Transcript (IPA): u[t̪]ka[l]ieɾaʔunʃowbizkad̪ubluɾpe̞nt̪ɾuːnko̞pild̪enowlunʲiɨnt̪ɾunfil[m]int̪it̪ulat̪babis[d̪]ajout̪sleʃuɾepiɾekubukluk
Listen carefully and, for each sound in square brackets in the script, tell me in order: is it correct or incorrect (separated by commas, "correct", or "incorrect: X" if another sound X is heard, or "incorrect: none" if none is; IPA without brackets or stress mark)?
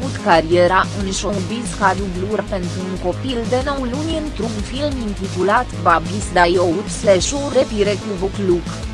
correct, incorrect: ɾ, correct, correct